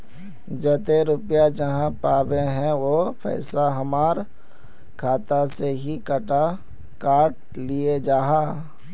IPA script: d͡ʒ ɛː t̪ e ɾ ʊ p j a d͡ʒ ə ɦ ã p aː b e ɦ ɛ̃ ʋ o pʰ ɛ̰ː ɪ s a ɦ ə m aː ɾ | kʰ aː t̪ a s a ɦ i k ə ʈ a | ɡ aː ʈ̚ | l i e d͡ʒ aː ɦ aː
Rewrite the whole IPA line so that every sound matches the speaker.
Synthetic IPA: d͡ʒ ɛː t̪ e ɾ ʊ p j a d͡ʒ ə ɦ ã p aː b e ɦ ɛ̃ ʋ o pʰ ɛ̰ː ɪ s a ɦ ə m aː ɾ | kʰ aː t̪ a s e ɦ i k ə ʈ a | k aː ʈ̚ | l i e d͡ʒ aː ɦ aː